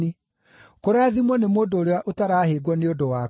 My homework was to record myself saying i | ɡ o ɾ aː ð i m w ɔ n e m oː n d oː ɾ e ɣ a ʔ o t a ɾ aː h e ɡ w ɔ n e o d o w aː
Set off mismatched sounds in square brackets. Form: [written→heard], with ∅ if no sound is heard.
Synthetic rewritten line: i | [ɡ→k] o ɾ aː ð i m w ɔ n e m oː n d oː ɾ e [ɣ→w] a ʔ o t a ɾ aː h e ɡ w ɔ n e o d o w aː